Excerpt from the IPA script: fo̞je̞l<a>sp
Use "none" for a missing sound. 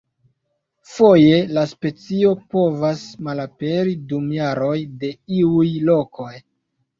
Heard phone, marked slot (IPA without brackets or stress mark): a